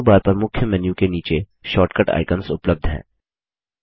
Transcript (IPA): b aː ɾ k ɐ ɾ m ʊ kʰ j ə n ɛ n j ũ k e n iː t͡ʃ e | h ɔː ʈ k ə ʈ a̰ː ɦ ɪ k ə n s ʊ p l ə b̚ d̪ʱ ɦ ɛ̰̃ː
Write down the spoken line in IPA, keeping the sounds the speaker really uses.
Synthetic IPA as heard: b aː ɾ p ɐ ɾ m ʊ kʰ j ə m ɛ n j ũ k e n iː t͡ʃ e | ʃ ɔː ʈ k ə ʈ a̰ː ɪ k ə n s ʊ p l ə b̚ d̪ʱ ɦ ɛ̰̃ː